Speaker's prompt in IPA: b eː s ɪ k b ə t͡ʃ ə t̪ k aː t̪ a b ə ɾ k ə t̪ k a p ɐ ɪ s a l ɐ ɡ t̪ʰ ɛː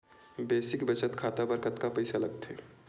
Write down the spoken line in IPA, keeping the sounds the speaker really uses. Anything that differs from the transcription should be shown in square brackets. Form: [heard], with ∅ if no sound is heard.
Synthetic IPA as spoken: b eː s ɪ k b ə t͡ʃ ə t̪ [kʰ] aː t̪ a b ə ɾ k ə t̪ k a p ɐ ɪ s a l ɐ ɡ t̪ʰ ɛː